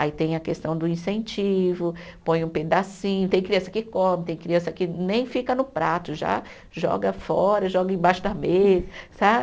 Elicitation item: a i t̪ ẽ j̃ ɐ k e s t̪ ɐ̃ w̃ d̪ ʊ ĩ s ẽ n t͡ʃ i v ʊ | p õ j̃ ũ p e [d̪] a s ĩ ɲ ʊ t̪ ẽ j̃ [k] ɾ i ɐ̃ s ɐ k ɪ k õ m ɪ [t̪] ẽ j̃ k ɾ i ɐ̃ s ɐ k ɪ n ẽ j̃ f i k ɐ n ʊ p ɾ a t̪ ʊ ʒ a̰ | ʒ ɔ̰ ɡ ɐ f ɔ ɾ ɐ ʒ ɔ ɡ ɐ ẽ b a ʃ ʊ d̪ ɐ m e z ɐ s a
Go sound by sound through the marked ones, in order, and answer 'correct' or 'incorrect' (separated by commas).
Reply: correct, correct, correct